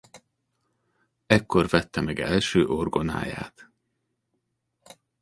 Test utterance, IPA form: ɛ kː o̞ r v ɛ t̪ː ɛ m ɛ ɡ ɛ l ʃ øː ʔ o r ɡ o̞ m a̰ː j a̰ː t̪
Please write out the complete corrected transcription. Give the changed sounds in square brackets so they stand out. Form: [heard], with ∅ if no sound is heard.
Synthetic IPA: ɛ kː o̞ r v ɛ t̪ː ɛ m ɛ ɡ ɛ l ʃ øː ʔ o r ɡ o̞ [n] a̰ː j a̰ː t̪